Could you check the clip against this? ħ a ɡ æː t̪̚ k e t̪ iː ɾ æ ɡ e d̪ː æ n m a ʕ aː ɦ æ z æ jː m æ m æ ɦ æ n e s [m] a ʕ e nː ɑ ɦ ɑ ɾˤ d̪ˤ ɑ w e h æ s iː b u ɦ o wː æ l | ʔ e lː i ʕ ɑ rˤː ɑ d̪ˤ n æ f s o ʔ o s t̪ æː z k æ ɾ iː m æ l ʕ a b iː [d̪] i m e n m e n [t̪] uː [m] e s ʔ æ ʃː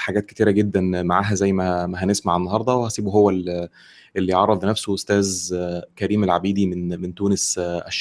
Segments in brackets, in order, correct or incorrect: correct, correct, correct, incorrect: n

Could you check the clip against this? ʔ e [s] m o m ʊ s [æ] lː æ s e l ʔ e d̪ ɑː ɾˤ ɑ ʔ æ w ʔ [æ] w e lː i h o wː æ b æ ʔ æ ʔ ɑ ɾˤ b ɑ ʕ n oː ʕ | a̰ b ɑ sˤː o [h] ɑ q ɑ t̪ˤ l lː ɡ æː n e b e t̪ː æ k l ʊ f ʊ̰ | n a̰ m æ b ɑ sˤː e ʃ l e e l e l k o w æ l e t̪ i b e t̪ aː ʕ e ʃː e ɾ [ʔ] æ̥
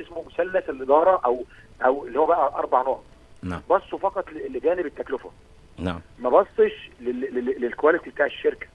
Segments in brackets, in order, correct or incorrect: correct, correct, correct, incorrect: f, incorrect: k

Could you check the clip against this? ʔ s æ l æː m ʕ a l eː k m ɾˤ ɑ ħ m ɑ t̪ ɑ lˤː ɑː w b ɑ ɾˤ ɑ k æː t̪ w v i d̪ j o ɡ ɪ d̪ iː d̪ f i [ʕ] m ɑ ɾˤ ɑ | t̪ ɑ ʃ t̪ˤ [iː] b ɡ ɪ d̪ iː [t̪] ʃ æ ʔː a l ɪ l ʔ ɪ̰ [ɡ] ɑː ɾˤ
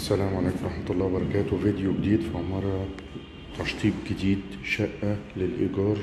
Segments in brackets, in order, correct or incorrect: correct, correct, incorrect: d̪, correct

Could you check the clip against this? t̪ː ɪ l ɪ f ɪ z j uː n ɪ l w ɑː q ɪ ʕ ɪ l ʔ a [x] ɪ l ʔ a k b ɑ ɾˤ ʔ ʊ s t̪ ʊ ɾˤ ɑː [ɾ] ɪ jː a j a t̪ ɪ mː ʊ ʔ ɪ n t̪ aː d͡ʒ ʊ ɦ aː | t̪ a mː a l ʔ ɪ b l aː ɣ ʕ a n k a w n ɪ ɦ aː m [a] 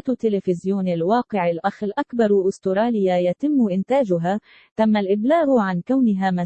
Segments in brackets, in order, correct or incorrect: correct, incorrect: l, correct

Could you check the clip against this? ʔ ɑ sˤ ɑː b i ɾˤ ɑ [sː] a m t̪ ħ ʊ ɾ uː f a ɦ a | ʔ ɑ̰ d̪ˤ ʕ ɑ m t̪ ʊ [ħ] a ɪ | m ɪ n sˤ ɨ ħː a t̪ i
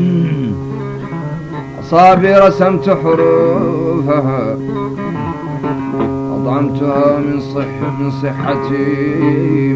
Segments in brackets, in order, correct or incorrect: incorrect: s, incorrect: h

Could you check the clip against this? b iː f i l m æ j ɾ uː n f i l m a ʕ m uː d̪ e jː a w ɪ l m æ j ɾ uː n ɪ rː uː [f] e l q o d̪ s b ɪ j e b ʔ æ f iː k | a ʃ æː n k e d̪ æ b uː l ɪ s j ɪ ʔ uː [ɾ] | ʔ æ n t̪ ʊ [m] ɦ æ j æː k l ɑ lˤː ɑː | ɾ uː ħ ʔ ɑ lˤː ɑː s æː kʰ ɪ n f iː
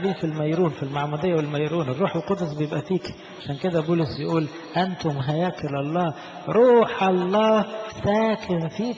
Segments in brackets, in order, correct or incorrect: incorrect: ħ, incorrect: l, correct

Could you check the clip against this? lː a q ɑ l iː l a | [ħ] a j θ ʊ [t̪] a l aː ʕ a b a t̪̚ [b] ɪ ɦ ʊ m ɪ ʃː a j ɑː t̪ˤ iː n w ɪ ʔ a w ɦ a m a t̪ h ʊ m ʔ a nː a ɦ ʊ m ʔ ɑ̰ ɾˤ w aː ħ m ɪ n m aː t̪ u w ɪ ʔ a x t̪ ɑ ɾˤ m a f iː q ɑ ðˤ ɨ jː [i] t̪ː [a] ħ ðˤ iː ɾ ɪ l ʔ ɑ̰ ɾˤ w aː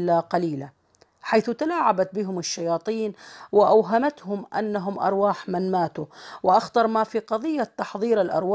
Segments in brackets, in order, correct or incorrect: correct, correct, correct, incorrect: a, incorrect: ɑ

